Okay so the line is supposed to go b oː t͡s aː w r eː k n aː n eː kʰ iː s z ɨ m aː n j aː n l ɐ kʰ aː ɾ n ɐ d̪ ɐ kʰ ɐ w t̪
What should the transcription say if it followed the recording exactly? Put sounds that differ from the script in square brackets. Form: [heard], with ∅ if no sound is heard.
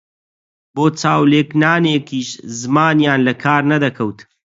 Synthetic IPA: b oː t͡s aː w [l] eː k n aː n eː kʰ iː [ʃ] z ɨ m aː n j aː n l ɐ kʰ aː ɾ n ɐ d̪ ɐ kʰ ɐ w t̪